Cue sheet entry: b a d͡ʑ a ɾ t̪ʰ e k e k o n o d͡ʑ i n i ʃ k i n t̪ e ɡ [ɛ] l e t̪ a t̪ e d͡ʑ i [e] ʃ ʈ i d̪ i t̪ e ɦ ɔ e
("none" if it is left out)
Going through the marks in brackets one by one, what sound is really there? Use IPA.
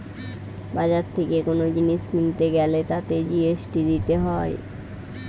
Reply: ɛ, e

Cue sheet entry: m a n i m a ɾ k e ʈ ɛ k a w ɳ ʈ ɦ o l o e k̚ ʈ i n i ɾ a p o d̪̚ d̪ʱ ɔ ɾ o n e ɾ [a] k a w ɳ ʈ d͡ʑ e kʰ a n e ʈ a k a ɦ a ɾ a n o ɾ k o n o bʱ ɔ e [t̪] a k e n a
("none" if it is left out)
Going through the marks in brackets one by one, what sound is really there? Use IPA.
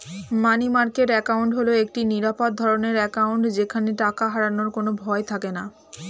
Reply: ɛ, t̪ʰ

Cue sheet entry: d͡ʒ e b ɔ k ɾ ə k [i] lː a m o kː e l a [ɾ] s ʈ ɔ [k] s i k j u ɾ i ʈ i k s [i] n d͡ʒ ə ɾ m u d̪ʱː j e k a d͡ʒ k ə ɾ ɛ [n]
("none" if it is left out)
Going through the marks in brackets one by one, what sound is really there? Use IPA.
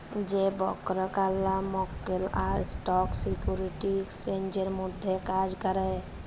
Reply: a, ɾ, k, e, none

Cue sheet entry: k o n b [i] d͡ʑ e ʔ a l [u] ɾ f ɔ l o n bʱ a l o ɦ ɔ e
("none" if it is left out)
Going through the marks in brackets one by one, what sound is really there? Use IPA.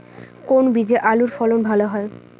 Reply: i, u

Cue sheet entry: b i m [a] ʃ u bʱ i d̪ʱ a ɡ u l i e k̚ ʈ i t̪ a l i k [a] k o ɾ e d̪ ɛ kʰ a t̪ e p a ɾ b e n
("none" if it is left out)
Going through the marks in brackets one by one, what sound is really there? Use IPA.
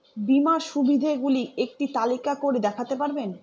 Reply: a, a

